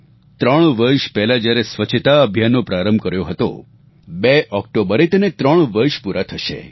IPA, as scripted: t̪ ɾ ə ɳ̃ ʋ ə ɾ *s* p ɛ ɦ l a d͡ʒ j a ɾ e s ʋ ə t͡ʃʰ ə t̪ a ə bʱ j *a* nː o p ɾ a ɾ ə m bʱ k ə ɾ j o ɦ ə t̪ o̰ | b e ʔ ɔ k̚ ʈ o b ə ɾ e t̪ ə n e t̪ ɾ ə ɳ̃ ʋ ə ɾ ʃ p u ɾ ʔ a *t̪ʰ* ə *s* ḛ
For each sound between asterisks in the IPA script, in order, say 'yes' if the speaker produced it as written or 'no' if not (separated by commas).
no, yes, yes, no